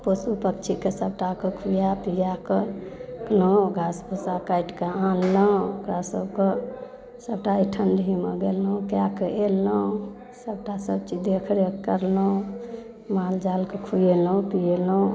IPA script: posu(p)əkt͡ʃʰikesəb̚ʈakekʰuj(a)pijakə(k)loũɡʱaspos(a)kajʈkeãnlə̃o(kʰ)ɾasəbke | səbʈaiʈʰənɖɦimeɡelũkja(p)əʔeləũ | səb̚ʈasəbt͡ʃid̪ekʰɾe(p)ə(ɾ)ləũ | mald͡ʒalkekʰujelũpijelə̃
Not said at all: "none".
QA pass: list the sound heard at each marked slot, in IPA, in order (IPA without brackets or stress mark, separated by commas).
p, a, k, a, k, k, k, ɾ